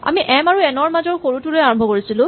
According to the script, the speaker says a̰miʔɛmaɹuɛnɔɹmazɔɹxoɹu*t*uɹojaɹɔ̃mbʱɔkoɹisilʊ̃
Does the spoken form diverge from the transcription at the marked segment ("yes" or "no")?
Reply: no